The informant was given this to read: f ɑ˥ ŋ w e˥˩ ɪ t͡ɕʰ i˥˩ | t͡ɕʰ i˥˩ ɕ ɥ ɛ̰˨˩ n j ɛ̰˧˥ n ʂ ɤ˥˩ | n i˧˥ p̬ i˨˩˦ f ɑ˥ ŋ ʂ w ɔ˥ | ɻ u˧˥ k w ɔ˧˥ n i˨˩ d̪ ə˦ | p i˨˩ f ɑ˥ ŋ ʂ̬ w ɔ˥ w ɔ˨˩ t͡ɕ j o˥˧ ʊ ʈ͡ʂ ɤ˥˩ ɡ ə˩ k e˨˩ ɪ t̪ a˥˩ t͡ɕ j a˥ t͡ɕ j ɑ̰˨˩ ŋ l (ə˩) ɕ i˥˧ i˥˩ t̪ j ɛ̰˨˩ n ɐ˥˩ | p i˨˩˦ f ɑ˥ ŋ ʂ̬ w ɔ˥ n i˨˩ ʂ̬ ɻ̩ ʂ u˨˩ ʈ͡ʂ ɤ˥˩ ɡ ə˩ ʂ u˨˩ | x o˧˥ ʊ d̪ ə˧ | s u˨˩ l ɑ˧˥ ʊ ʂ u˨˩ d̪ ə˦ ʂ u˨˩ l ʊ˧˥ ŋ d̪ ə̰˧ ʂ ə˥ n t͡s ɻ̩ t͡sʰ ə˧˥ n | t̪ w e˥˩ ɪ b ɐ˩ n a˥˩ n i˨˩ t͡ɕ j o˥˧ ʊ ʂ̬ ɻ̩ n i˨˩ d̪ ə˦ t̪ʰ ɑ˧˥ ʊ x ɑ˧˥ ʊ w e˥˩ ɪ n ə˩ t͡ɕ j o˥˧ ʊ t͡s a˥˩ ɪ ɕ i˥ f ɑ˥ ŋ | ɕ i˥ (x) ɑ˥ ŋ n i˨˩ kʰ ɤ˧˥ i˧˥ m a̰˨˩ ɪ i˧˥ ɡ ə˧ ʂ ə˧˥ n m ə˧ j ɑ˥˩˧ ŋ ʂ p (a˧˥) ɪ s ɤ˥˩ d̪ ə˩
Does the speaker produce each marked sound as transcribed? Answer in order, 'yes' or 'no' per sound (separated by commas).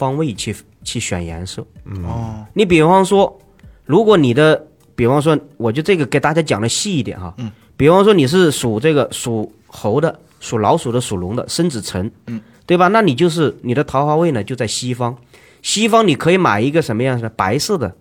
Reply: no, no, yes